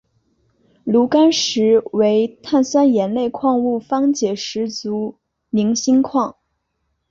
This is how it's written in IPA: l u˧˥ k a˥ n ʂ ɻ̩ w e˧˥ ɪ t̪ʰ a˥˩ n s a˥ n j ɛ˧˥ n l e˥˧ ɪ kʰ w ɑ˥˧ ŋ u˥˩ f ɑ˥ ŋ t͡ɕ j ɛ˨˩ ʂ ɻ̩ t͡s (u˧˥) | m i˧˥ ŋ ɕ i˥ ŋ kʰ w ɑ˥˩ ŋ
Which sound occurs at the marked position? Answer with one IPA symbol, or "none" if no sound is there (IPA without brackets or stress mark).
u˧˥